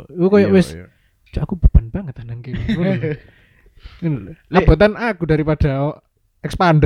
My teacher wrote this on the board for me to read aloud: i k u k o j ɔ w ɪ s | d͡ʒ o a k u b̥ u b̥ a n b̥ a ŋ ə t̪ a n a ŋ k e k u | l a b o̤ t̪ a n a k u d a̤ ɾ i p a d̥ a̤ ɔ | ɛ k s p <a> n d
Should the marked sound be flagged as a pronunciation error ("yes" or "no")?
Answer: no